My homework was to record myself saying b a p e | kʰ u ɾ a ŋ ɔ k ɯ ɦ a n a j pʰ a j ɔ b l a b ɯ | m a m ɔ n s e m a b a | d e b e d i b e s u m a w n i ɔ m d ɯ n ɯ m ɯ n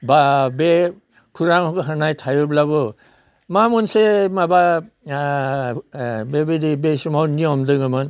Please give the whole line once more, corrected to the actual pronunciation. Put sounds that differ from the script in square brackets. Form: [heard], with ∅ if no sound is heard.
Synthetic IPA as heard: b a [b] e | kʰ u ɾ a ŋ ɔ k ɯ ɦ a n a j [tʰ] a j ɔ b l a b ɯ | m a m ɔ n s e m a b a | [b] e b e d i b e s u m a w n i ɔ m d ɯ [ŋ] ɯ m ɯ n